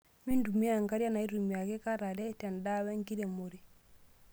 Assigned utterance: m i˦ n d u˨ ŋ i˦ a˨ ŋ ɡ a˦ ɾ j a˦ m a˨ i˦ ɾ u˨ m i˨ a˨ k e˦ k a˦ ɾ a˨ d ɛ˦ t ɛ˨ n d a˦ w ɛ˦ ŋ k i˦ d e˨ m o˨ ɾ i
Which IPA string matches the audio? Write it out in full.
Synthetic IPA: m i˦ n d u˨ m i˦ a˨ ŋ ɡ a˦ ɾ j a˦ n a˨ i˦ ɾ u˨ m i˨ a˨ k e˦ k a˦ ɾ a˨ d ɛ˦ t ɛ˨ n d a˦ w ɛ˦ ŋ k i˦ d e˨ m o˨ ɾ i